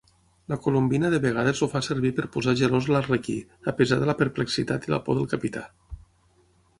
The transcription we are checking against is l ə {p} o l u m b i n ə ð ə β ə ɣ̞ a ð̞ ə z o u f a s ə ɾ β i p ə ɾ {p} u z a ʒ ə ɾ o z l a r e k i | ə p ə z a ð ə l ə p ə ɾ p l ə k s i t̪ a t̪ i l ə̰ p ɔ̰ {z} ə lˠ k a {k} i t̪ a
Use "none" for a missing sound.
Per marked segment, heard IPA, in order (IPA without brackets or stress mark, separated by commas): k, p, ð, p